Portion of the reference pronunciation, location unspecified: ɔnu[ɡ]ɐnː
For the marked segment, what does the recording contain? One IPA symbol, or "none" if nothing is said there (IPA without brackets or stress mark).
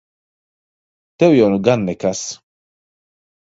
ɡ